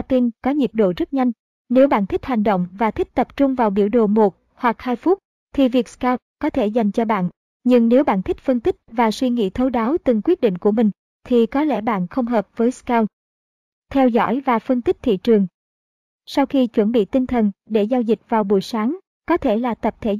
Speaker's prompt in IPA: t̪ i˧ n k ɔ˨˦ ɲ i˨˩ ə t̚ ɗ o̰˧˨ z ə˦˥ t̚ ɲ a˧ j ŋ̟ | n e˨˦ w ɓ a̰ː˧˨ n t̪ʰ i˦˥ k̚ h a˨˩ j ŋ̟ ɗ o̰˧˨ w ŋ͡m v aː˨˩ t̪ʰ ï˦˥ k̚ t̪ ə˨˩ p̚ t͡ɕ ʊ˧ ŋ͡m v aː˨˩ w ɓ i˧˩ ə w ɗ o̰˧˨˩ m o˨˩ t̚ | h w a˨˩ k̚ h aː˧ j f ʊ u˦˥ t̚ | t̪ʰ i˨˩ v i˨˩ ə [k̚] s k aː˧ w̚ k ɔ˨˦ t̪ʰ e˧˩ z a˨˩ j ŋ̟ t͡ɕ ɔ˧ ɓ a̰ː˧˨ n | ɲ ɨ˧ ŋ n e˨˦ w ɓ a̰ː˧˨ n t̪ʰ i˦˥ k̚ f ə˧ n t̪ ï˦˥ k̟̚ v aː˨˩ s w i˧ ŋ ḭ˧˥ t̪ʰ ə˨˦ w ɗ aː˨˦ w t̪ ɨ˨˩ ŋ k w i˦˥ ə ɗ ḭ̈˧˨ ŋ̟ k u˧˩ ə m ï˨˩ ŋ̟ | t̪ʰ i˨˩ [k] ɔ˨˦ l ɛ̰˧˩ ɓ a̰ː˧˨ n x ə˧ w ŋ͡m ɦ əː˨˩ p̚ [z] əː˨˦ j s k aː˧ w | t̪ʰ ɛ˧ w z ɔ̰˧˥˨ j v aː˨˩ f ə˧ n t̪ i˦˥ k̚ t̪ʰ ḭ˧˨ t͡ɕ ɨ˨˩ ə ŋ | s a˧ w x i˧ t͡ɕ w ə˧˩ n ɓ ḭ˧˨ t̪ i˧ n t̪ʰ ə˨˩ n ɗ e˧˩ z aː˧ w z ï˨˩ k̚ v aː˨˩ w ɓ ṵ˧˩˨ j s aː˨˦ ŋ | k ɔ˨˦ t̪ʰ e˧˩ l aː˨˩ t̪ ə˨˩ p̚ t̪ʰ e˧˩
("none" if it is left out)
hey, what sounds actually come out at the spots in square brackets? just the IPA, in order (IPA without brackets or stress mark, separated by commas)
k̚, k, v